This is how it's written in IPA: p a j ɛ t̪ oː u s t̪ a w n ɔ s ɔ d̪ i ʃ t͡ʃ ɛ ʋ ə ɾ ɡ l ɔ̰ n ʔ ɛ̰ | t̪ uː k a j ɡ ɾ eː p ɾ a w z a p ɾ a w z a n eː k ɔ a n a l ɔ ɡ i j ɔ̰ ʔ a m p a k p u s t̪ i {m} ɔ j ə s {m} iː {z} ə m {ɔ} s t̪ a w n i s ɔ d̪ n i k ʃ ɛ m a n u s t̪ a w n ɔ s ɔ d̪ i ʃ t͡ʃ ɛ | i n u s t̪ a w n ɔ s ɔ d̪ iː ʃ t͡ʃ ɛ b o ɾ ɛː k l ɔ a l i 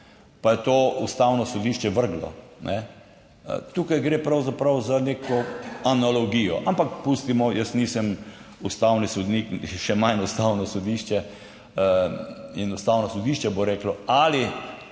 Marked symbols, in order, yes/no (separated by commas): yes, no, no, no